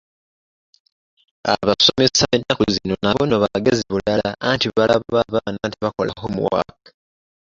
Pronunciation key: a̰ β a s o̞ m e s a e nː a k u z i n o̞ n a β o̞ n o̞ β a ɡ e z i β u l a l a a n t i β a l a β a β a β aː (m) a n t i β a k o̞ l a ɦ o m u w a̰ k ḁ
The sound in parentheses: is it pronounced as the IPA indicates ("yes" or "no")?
no